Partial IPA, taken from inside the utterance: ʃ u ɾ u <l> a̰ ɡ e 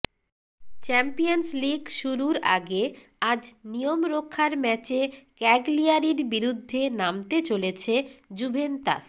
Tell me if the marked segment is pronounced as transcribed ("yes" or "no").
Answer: no